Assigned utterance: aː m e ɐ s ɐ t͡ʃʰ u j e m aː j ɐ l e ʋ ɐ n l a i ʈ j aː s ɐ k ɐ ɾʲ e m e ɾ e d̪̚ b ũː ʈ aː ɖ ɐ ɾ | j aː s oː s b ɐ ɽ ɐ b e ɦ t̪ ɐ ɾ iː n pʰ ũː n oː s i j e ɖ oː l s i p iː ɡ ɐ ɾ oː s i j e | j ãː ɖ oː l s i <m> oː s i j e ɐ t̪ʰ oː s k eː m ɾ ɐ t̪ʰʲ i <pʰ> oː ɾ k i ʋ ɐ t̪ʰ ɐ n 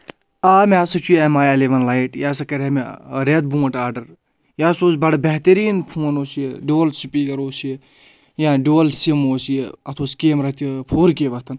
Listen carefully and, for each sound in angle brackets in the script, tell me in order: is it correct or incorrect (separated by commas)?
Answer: correct, correct